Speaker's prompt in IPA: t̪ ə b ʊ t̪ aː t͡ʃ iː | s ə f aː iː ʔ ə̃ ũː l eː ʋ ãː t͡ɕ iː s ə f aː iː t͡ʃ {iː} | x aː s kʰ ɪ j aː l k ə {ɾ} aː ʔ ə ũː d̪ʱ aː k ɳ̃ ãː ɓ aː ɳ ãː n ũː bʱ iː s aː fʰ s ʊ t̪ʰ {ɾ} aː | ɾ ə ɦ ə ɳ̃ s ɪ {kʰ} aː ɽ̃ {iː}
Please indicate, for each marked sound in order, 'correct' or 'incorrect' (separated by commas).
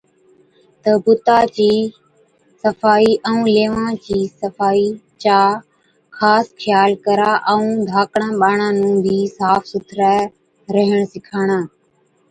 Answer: incorrect, correct, correct, correct, incorrect